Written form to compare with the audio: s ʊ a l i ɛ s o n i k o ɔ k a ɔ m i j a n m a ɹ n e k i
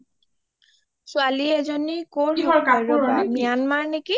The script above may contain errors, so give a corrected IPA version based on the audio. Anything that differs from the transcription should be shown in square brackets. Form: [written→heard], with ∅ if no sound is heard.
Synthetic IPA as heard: s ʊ a l i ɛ [s→z] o n i k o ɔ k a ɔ m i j a n m a ɹ n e k i